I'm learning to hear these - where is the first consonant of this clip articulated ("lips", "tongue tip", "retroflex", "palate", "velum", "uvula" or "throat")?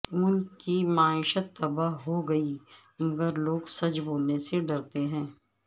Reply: tongue tip